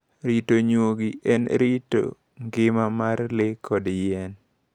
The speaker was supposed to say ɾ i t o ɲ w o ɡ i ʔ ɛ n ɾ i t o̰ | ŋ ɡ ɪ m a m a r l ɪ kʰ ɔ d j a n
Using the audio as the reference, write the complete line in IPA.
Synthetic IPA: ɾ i t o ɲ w o ɡ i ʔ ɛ n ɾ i t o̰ | ŋ ɡ ɪ m a m a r l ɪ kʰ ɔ d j ɛ n